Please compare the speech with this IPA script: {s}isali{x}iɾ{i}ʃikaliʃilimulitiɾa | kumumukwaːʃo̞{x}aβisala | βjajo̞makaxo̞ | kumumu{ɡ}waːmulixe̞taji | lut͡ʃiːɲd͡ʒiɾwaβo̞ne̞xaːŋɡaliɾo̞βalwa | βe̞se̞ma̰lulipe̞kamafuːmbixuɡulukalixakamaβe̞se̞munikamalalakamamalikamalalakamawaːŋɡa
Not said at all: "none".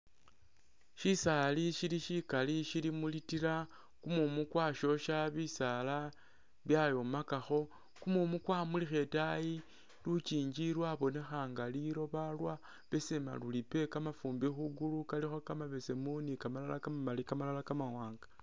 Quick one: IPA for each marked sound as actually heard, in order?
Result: ʃ, ʃ, i, ʃ, k

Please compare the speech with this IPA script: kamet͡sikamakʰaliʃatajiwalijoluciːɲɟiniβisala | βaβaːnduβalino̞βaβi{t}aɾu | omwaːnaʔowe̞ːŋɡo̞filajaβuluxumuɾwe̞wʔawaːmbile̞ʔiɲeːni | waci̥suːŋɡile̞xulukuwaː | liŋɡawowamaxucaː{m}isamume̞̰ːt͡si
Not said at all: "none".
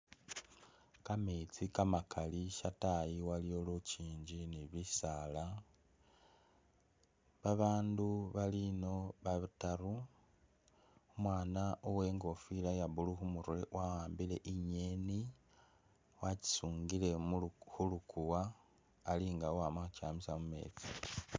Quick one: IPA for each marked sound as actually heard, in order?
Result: t, m

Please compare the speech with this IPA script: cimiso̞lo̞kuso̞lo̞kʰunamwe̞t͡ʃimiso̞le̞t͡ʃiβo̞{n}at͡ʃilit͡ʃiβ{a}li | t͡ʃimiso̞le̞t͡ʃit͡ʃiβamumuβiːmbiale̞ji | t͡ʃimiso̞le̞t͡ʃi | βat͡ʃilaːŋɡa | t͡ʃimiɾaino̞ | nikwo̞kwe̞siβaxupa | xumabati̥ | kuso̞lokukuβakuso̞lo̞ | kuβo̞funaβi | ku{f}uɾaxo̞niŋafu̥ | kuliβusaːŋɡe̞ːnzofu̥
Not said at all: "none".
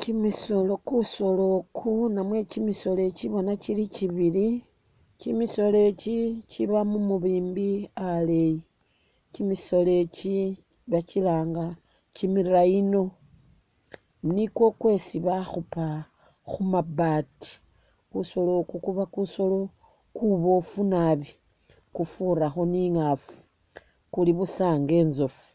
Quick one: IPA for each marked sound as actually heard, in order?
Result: n, i, f

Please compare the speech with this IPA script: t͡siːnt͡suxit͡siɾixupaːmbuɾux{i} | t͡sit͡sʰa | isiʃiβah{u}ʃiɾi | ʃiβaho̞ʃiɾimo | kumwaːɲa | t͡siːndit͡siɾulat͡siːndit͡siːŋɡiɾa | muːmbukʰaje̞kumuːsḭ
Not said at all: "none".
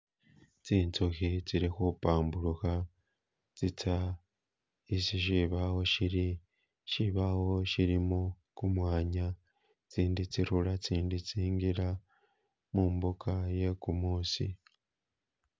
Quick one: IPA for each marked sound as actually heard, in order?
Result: a, o

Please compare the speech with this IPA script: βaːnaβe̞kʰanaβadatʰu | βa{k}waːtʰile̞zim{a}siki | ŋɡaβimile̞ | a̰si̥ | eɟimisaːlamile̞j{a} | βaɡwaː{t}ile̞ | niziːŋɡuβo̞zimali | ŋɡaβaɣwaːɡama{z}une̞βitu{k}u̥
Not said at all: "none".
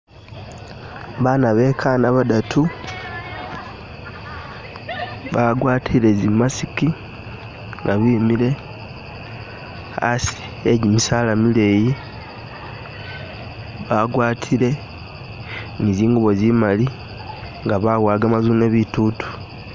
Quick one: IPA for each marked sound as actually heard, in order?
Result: ɡ, a, i, tʰ, z, t

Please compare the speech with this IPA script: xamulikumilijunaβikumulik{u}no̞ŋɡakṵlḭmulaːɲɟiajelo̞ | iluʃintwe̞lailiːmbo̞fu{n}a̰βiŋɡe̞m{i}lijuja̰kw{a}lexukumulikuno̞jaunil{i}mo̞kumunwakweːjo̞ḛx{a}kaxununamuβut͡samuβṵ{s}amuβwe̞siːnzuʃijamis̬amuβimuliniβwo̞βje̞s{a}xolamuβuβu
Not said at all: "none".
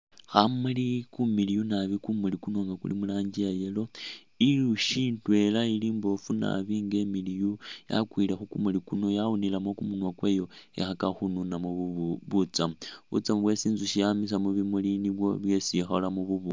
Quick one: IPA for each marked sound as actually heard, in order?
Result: u, n, i, i, a, a, t͡s, i

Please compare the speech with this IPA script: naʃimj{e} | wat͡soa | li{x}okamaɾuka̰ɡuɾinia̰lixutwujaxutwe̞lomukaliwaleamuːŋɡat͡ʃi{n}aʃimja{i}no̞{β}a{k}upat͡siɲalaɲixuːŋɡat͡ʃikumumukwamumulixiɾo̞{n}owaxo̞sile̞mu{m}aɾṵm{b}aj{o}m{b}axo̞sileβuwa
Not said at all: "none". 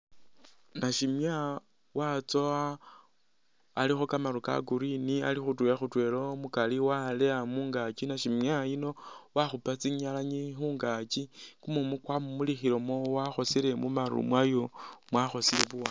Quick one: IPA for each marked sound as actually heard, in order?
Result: a, x, n, i, w, x, m, m, w, o, w

